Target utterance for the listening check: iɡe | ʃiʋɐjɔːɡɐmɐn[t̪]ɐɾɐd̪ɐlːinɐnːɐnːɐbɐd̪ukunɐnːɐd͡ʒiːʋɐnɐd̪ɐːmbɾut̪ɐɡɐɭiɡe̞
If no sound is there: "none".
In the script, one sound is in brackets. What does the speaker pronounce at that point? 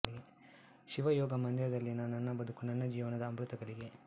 d̪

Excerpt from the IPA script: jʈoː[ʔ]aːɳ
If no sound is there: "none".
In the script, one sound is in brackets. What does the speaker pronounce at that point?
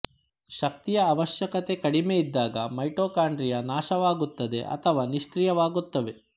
k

